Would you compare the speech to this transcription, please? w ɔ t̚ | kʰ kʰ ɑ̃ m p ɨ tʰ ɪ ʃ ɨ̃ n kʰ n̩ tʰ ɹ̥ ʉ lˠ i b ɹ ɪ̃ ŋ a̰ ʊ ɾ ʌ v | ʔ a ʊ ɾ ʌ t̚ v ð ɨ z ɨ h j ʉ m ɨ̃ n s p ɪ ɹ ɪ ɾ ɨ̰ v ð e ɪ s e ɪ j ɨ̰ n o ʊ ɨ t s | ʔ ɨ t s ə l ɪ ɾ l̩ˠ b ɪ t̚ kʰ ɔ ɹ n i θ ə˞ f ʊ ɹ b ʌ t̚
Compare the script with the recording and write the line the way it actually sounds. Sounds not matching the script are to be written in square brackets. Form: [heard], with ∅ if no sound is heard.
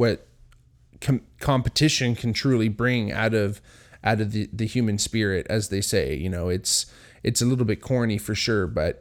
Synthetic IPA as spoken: w [ʌ] t̚ | kʰ kʰ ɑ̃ m p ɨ tʰ ɪ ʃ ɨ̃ n kʰ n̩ tʰ ɹ̥ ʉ lˠ i b ɹ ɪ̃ ŋ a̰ ʊ ɾ ʌ v | ʔ a ʊ ɾ ʌ [∅] v ð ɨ [ð] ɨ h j ʉ m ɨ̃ n s p ɪ ɹ ɪ ɾ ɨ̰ [z] ð e ɪ s e ɪ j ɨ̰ n o ʊ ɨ t s | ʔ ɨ t s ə l ɪ ɾ l̩ˠ b ɪ t̚ kʰ ɔ ɹ n i [f] ə˞ [ʃ] ʊ ɹ b ʌ t̚